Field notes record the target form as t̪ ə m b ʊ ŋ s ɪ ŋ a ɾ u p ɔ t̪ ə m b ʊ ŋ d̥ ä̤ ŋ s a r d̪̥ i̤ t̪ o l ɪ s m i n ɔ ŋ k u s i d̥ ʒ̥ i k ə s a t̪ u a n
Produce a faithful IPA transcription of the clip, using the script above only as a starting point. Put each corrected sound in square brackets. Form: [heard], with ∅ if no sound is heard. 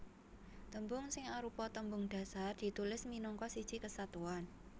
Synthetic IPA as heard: t̪ ə m b ʊ ŋ s ɪ ŋ a ɾ u p ɔ t̪ ə m b ʊ ŋ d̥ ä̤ [∅] s a r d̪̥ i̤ t̪ [u] l ɪ s m i n ɔ ŋ k [ɔ] s i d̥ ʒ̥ i k ə s a t̪ u a n